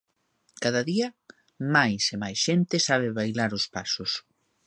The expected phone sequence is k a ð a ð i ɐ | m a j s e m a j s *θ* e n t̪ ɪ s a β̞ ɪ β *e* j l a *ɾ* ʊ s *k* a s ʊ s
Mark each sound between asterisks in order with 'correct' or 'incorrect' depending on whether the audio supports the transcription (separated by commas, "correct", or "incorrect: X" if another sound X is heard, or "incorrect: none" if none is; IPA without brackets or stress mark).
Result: incorrect: ʃ, incorrect: a, correct, incorrect: p